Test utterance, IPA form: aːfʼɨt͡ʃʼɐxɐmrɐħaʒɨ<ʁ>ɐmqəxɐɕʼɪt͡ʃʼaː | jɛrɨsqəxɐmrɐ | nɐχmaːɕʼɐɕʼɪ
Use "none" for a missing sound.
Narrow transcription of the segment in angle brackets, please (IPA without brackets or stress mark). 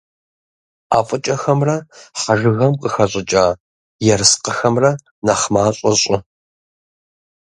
ɣ